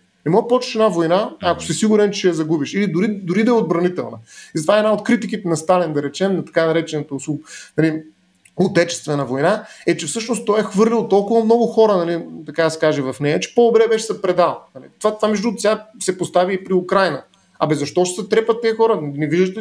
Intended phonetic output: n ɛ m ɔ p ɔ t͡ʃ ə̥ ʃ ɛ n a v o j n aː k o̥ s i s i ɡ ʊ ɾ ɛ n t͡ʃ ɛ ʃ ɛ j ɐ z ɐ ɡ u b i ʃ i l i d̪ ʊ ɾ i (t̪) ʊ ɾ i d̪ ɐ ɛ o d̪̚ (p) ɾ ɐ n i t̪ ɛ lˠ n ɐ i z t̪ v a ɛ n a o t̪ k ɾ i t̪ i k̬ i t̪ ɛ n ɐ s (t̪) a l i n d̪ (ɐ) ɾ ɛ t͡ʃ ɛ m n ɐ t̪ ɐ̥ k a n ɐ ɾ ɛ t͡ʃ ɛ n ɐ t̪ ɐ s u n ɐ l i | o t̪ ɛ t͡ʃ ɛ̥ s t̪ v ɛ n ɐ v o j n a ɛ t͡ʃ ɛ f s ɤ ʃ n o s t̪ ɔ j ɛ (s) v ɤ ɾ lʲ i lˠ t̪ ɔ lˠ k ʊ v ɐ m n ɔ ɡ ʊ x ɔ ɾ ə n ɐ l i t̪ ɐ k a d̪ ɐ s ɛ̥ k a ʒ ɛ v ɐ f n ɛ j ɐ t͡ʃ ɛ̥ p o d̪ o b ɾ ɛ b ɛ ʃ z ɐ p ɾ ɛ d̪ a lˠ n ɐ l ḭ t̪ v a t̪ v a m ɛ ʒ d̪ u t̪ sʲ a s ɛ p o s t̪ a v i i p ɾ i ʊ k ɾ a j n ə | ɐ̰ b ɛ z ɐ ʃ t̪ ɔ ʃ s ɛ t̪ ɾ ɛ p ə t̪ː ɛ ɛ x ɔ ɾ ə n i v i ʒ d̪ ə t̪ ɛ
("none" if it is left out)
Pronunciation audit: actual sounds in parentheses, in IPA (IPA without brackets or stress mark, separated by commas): d̪, b, t̪, ɐ, x